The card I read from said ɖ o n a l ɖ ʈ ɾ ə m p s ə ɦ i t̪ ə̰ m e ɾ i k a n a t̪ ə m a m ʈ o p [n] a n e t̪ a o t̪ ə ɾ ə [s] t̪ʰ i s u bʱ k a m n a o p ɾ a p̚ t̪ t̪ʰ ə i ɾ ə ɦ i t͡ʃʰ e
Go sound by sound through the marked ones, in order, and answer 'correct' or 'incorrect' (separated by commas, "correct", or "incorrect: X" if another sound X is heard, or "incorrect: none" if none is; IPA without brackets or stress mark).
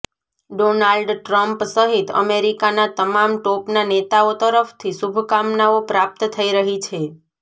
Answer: correct, incorrect: f